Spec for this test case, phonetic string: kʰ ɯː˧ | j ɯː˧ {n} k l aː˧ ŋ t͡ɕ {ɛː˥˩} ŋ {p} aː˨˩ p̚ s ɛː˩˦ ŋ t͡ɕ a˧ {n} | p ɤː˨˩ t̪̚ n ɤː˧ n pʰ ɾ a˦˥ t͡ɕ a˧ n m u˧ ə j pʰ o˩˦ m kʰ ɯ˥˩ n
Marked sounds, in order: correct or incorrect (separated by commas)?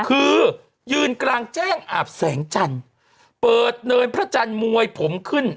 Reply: correct, correct, incorrect, correct